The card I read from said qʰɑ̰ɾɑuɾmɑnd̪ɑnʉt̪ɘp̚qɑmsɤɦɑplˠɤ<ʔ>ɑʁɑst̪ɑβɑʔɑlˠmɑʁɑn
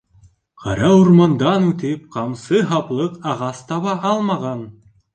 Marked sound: incorrect: q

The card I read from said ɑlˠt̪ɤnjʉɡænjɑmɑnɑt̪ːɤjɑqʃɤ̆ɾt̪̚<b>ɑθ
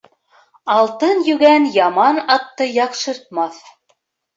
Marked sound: incorrect: m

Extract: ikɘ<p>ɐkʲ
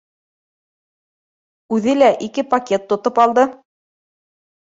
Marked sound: correct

